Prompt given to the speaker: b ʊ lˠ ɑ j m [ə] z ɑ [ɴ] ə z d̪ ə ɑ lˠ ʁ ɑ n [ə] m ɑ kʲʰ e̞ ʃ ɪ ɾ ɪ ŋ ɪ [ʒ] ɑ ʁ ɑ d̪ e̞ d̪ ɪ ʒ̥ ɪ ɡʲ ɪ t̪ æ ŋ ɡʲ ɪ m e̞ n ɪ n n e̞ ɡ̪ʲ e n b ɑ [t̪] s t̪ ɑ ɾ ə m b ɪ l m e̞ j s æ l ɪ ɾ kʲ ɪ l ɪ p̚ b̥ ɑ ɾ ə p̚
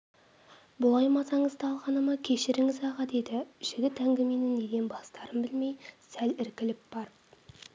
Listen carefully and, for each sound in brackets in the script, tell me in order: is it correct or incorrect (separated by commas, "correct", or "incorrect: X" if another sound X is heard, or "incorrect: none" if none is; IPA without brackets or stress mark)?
incorrect: ɑ, correct, correct, incorrect: z, incorrect: none